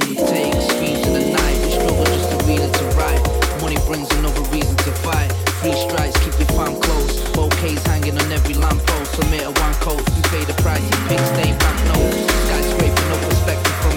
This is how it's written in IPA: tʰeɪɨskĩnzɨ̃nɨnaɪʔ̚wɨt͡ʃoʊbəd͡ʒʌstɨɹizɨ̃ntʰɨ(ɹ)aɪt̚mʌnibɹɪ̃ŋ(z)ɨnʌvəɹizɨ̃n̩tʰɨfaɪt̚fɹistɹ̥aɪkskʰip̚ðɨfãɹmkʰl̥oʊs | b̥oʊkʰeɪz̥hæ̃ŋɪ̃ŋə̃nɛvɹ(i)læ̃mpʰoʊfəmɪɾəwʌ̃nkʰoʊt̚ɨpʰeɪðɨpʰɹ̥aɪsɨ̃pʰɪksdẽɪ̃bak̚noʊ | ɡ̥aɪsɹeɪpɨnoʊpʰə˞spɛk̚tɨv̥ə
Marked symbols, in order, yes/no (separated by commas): yes, yes, yes